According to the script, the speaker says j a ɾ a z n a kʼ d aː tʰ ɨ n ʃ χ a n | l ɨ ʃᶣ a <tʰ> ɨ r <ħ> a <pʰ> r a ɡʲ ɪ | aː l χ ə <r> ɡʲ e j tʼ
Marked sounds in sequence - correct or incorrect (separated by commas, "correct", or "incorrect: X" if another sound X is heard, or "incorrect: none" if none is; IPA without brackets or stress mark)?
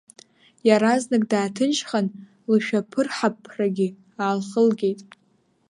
incorrect: pʰ, correct, correct, incorrect: l